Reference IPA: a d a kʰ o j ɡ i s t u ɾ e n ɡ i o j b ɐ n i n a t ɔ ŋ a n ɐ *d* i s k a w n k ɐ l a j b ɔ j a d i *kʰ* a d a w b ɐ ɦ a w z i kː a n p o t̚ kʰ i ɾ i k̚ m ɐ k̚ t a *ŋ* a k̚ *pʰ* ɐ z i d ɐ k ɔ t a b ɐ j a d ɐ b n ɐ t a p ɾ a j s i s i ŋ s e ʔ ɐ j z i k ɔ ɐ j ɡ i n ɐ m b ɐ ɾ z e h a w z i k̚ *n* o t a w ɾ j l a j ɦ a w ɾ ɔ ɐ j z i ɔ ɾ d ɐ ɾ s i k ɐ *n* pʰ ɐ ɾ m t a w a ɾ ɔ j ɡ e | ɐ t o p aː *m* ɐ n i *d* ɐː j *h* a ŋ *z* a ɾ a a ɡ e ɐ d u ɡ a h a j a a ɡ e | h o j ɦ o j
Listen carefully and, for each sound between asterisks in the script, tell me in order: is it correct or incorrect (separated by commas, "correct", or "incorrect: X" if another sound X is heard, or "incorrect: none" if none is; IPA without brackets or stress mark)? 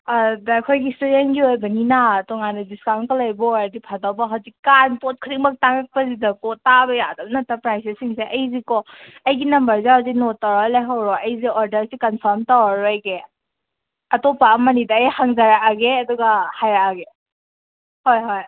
correct, incorrect: pʰ, correct, incorrect: p, correct, correct, correct, correct, correct, correct